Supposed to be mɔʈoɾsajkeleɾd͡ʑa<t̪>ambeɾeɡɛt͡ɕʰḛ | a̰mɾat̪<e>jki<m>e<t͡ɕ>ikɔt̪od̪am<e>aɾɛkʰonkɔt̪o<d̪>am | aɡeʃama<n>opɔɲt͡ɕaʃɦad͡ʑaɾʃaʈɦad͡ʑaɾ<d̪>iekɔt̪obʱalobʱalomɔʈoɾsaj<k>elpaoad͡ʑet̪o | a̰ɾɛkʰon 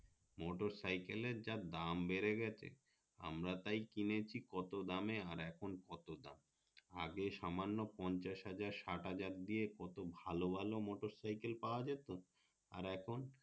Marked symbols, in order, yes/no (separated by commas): no, no, no, no, yes, yes, no, yes, yes